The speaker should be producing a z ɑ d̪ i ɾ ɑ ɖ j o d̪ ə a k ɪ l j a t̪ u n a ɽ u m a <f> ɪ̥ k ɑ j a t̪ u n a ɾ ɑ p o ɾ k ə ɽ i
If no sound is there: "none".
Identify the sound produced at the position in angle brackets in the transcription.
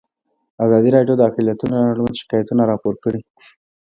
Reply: ʃ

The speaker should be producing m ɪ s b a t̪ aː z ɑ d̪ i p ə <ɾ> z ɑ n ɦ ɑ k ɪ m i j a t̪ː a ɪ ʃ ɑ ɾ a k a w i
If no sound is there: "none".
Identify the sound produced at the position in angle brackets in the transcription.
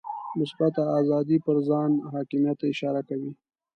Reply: ɾ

